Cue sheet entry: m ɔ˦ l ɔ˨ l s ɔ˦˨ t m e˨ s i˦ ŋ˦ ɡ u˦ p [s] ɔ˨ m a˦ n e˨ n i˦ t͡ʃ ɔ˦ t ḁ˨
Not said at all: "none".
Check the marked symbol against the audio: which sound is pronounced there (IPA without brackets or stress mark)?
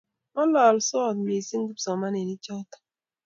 s